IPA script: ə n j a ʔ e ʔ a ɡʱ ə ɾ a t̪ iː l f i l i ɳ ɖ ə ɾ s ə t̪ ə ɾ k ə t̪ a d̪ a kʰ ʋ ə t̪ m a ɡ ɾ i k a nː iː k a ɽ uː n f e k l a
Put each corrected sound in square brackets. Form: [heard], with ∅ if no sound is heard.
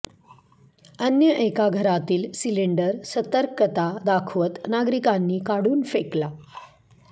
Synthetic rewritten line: ə n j [ə] ʔ e [k] a ɡʱ ə ɾ a t̪ iː l [s] i l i ɳ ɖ ə ɾ s ə t̪ ə ɾ k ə t̪ a d̪ a kʰ ʋ ə t̪ [n] a ɡ ɾ i k a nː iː k a ɽ uː n f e k l a

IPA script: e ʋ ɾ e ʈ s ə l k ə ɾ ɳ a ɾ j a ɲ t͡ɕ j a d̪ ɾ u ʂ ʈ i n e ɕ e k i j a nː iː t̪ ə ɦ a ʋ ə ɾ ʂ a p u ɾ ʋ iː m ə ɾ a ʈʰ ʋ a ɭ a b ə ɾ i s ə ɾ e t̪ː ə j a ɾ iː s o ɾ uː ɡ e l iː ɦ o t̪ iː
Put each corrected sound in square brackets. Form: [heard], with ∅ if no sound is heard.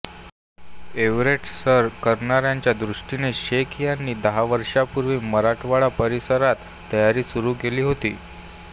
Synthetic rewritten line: e ʋ ɾ e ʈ s ə [ɾ] k ə ɾ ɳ a ɾ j a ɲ t͡ɕ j a d̪ ɾ u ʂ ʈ i n e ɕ e k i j a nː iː [d̪] ə ɦ a ʋ ə ɾ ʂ a p u ɾ ʋ iː m ə ɾ a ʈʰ ʋ a ɭ a [p] ə ɾ i s ə ɾ [a] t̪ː ə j a ɾ iː s [u] ɾ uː ɡ e l iː ɦ o t̪ iː

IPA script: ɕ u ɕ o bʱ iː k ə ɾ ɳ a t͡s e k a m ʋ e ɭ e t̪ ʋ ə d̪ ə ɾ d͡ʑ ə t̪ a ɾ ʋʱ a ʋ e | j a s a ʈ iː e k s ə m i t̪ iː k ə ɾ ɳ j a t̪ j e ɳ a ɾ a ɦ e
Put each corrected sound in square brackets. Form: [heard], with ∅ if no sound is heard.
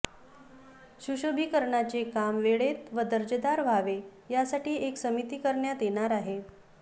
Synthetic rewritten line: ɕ u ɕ o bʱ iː k ə ɾ ɳ a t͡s e k a m ʋ e ɭ e t̪ ʋ ə d̪ ə ɾ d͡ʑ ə [d̪] a ɾ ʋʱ a ʋ e | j a s a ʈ iː e k s ə m i t̪ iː k ə ɾ ɳ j a t̪ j e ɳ a ɾ a ɦ e

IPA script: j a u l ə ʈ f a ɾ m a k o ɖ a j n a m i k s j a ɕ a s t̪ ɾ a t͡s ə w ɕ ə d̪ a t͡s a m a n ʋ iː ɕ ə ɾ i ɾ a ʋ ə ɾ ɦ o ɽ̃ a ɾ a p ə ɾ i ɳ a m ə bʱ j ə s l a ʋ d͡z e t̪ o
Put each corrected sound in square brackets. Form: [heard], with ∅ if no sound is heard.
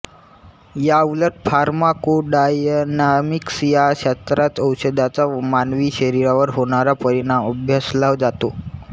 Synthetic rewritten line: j a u l ə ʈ f a ɾ m a k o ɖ a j n a m i k s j a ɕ a s t̪ ɾ a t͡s ə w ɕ ə d̪ a t͡s a m a n ʋ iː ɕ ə ɾ i ɾ a ʋ ə ɾ ɦ o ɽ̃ a ɾ a p ə ɾ i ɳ a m ə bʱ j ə s l a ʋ d͡z [a] t̪ o

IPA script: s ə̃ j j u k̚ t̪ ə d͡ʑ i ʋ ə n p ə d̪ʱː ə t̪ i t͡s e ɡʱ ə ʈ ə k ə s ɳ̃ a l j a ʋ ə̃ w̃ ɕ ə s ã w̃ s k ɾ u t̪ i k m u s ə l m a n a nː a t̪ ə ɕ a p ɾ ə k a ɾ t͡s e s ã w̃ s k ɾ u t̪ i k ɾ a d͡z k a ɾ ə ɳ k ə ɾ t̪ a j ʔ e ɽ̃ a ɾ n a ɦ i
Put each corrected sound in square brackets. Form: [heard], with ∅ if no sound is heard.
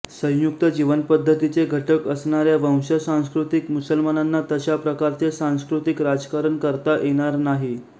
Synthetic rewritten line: s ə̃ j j u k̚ t̪ ə d͡ʑ i ʋ ə n p ə d̪ʱː ə t̪ i t͡s e ɡʱ ə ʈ ə k ə s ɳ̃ a [ɾ] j a ʋ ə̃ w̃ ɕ ə s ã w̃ s k ɾ u t̪ i k m u s ə l m a n a nː a t̪ ə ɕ a p ɾ ə k a ɾ t͡s e s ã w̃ s k ɾ u t̪ i k ɾ a d͡z k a ɾ ə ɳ k ə ɾ t̪ a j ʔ e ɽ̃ a ɾ n a ɦ i

